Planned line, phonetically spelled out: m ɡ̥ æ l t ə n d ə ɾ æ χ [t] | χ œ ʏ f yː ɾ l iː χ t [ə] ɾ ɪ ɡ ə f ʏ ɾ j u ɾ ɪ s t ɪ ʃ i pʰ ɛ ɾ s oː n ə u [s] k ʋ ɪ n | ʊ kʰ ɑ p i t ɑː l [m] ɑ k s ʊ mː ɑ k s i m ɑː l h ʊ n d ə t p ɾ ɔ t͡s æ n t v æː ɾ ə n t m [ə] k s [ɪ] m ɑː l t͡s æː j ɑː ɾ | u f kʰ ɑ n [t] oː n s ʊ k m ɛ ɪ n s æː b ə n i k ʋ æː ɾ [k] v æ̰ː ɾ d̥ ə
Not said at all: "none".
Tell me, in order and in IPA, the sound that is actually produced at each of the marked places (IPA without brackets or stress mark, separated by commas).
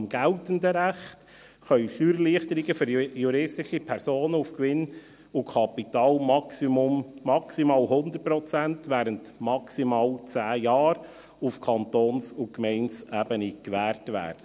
t, ə, f, m, ɑ, i, t, t